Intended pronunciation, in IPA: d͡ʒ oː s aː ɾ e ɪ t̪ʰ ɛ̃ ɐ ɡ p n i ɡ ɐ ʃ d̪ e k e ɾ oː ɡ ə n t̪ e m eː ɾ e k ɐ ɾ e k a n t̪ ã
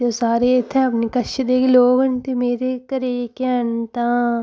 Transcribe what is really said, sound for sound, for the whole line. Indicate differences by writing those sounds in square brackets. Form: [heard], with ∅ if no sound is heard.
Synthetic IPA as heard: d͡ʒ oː s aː ɾ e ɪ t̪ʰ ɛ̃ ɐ [∅] p n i [k] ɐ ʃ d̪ e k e [l] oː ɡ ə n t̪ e m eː ɾ e k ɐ ɾ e k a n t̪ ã